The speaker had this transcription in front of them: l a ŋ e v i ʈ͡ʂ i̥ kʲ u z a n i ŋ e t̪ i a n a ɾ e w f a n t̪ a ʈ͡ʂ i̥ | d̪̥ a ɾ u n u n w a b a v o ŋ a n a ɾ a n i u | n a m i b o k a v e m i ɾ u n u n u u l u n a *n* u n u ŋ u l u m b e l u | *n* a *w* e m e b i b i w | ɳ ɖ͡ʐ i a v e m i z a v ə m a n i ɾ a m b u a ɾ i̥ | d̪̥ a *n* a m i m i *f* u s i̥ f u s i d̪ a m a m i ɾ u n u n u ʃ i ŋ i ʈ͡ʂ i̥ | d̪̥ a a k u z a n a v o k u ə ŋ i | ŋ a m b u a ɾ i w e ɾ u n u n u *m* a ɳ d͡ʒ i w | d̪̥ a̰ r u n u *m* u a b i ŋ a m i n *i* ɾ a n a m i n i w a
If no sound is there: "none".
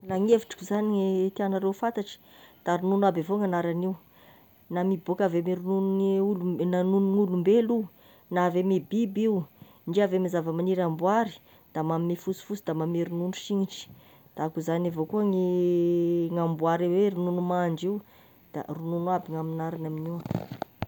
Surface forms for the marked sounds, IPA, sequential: n, n, v, m, f, m, n, a

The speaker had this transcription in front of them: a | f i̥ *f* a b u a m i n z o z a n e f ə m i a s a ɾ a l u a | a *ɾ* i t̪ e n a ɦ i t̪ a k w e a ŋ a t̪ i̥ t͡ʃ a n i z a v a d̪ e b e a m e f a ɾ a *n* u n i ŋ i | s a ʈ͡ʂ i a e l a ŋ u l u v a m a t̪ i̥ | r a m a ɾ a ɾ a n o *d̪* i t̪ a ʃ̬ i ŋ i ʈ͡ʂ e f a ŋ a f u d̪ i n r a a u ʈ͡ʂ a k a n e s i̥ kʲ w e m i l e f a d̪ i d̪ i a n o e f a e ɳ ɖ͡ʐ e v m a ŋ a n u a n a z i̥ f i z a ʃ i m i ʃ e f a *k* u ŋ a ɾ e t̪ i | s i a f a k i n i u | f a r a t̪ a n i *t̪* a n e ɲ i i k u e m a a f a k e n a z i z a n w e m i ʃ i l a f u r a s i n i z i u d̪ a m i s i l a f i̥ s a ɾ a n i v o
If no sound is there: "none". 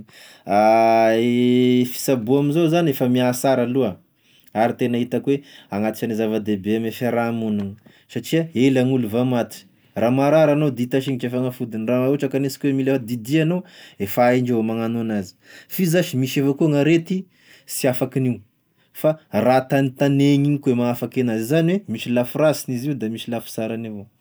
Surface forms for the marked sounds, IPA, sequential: s, ɾ, m, d̪, k, t̪

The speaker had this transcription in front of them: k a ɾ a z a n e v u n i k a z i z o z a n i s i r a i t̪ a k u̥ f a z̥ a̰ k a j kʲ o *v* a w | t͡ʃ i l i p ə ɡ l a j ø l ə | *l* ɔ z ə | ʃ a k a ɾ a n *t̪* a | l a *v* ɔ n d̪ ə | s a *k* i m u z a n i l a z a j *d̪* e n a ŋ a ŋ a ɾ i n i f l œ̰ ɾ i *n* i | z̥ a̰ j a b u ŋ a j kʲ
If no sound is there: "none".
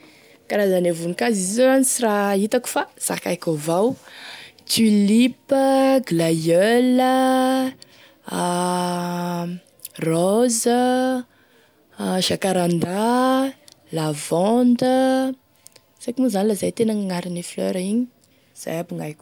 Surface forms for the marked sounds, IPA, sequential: v, r, d̪, v, k, t̪, ɲ

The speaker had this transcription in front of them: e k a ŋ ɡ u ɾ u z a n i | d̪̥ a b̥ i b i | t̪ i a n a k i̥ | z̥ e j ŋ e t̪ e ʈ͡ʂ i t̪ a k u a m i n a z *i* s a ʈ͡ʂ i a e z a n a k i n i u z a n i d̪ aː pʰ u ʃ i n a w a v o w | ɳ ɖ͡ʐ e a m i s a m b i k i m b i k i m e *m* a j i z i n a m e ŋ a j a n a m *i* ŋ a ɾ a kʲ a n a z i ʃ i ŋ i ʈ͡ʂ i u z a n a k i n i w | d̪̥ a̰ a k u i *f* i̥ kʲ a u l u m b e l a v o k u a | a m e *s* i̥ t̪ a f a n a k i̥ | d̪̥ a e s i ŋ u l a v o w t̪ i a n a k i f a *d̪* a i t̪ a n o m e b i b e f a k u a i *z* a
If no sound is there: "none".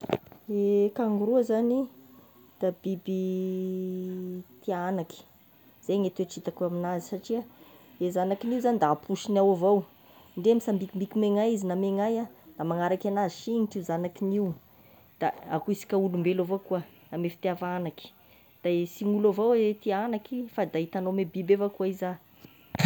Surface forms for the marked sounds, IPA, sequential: i, ŋ, a, s, f, d̪, z

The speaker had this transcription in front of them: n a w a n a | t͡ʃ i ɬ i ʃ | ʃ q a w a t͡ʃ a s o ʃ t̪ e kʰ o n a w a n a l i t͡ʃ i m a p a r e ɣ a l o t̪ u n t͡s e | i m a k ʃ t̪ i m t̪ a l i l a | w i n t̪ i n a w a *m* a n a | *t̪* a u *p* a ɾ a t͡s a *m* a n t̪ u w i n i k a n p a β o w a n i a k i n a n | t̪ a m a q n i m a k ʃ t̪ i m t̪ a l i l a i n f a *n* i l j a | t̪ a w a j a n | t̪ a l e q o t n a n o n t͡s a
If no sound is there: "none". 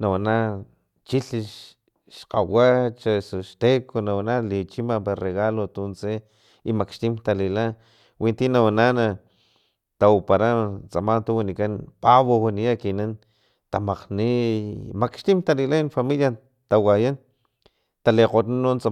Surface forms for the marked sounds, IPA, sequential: n, t̪, p, m, m

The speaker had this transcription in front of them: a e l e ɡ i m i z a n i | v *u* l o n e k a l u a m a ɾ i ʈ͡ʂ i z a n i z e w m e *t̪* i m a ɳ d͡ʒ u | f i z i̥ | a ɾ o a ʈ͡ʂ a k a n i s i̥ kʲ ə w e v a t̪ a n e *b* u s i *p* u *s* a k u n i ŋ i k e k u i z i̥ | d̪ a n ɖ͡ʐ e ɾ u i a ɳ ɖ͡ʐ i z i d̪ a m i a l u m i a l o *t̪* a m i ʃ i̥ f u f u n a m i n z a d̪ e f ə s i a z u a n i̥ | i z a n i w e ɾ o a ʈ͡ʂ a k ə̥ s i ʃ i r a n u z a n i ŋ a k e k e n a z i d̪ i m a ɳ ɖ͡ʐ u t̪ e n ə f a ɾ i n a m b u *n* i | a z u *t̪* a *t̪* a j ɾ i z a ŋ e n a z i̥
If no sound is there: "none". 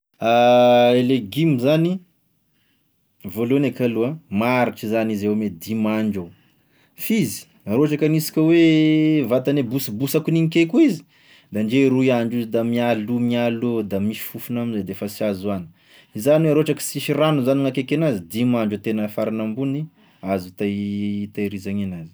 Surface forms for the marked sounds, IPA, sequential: o, d̪, b, b, s, d̪, n, t̪, t̪

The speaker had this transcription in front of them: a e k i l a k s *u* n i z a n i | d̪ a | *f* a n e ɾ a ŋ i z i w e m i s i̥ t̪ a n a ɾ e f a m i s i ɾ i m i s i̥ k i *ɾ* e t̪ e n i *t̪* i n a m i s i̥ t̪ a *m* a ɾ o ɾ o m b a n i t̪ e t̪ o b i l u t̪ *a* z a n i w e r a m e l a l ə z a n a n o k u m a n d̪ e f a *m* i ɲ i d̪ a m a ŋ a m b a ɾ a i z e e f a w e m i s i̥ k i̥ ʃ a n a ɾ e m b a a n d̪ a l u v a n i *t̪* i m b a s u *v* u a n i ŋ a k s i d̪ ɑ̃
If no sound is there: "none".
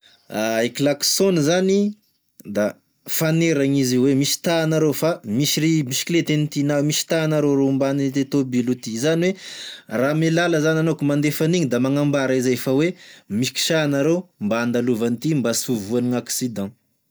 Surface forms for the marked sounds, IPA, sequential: o, f, l, t̪, n, i, n, t̪, v

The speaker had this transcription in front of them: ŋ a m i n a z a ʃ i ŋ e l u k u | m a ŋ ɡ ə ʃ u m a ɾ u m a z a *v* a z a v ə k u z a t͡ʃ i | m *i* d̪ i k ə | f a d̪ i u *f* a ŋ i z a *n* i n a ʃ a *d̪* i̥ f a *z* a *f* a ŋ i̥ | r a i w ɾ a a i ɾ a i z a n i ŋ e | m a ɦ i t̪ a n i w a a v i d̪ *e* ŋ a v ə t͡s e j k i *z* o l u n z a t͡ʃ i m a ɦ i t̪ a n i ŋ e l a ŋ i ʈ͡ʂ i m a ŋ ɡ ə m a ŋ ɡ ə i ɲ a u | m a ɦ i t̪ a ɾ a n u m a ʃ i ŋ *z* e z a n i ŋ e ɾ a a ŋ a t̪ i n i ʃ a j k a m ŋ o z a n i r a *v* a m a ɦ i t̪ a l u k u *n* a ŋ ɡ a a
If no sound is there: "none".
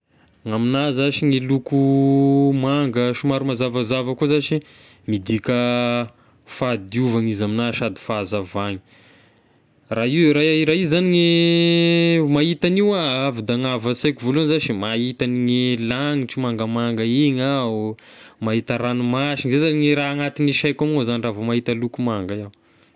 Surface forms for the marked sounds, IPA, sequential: v, i, v, m, d̪, z, v, a, v, z, v, m

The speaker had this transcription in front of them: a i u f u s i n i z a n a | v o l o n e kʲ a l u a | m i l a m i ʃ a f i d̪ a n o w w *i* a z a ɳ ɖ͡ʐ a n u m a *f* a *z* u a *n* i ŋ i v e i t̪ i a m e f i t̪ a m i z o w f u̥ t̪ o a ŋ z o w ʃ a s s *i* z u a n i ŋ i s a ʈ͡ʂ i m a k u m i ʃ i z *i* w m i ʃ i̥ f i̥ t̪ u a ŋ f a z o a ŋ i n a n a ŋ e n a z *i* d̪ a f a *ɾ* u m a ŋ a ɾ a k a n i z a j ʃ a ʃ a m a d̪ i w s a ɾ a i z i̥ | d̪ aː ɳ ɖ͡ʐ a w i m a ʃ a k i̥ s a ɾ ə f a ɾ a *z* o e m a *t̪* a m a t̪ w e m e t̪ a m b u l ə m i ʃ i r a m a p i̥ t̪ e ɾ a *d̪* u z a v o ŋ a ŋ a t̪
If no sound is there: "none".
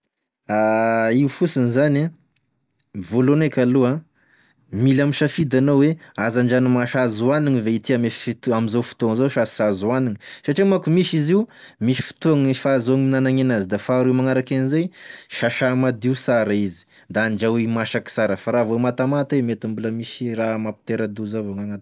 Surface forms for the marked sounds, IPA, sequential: e, ʃ, z, n, a, i, i, ɾ, v, t̪, d̪

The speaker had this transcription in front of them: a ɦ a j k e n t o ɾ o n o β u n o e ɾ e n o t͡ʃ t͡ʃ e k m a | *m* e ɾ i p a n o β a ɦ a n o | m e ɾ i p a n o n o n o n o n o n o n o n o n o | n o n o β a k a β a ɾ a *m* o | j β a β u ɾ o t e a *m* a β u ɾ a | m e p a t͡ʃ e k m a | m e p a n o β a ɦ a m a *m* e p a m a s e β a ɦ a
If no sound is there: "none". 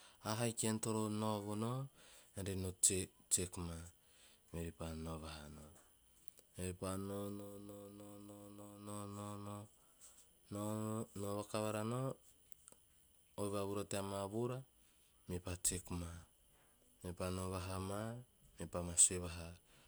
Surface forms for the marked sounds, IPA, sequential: m, n, m, m

